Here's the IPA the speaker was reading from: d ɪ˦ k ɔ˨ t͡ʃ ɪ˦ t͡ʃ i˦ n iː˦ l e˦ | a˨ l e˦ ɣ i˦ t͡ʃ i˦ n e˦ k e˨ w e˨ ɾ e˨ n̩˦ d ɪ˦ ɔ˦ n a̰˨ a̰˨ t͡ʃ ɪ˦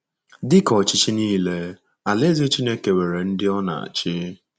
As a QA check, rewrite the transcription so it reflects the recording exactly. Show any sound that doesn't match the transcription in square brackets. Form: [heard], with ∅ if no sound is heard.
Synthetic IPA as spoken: d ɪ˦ k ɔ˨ t͡ʃ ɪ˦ t͡ʃ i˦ n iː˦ l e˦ | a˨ l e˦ [z] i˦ t͡ʃ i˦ n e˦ k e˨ w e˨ ɾ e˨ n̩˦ d ɪ˦ ɔ˦ n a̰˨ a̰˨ t͡ʃ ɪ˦